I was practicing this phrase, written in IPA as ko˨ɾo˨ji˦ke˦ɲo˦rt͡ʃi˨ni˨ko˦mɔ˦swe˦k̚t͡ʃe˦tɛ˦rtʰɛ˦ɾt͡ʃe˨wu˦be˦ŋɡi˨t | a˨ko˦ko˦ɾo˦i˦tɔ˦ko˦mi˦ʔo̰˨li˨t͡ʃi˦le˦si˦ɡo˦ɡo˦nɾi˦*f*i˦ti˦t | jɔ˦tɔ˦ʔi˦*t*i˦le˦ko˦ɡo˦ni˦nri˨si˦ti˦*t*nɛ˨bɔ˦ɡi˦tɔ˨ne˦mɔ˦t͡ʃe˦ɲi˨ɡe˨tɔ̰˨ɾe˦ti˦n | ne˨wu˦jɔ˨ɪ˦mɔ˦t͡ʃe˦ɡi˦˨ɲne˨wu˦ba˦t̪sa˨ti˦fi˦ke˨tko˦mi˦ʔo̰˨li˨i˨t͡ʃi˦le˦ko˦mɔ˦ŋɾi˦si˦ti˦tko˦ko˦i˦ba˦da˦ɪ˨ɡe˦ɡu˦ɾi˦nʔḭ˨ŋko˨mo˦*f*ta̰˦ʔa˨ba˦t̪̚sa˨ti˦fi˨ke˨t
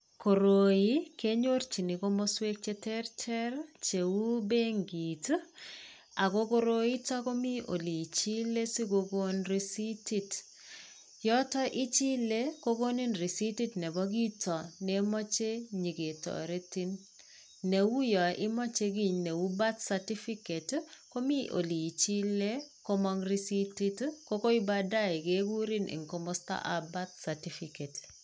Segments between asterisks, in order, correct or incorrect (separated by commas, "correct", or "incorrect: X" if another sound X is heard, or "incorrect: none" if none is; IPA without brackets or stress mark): incorrect: s, incorrect: t͡ʃ, correct, incorrect: s